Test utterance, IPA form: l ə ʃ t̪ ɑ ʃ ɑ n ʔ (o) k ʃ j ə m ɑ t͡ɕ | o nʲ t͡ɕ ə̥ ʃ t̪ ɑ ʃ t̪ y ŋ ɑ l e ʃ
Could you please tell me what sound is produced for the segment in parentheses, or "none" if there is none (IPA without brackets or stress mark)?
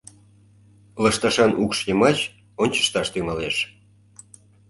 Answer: u